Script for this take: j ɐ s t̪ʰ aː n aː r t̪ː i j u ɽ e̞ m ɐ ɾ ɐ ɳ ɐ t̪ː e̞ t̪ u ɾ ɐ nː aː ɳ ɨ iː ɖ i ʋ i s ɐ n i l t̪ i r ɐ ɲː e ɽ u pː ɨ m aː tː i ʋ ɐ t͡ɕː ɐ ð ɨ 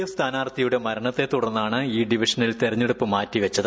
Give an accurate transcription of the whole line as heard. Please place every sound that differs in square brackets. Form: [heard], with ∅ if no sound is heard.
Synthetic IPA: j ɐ s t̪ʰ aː n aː r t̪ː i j u ɽ e̞ m ɐ ɾ ɐ ɳ ɐ t̪ː e̞ t̪ u [ɽ] ɐ nː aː ɳ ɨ iː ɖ i ʋ i [ʂ] ɐ n i l t̪ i r ɐ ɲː e ɽ u pː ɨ m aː tː i ʋ ɐ t͡ɕː ɐ ð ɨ